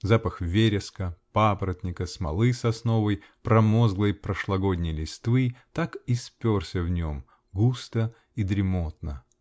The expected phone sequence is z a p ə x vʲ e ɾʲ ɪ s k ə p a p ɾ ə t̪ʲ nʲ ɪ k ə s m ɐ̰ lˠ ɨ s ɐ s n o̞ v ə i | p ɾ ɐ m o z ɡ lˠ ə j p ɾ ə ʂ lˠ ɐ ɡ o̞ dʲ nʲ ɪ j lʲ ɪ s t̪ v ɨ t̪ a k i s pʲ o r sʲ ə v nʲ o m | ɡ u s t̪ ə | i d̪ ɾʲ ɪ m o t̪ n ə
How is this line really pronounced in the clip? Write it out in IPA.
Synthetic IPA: z a p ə x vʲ e ɾʲ ɪ s k ə p a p ɾ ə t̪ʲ nʲ ɪ k ə s m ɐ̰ lˠ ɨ s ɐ s n o̞ v ə j | p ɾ ɐ m o z ɡ lˠ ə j p ɾ ə ʂ lˠ ɐ ɡ o̞ dʲ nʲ ɪ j lʲ ɪ s t̪ v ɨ t̪ a k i s pʲ o r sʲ ə v nʲ o m | ɡ u s t̪ ə | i d̪ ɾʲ ɪ m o t̪ n ə